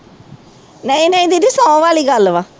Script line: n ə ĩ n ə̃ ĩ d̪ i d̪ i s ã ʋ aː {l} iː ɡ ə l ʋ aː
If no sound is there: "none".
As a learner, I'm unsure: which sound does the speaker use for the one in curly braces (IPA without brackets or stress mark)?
l